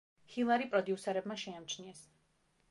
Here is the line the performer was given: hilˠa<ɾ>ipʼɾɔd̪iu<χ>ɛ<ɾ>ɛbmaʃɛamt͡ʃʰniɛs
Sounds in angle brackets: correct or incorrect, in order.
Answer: correct, incorrect: s, correct

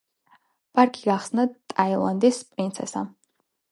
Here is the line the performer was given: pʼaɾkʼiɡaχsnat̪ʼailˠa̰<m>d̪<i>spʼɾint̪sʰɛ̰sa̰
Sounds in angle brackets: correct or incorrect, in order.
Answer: incorrect: n, correct

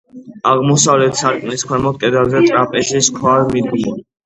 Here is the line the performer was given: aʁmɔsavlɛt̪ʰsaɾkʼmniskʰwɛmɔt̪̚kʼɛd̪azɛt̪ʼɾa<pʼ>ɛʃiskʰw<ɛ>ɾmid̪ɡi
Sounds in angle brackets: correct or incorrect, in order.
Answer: correct, incorrect: a

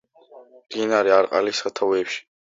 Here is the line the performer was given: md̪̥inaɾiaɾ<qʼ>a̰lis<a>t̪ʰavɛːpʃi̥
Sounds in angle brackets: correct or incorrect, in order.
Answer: correct, correct

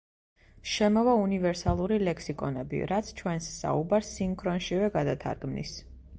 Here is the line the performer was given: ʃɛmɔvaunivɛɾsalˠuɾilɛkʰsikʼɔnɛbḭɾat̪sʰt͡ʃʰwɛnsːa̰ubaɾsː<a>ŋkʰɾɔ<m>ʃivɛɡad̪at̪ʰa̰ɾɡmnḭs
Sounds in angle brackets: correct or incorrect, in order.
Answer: incorrect: i, incorrect: n

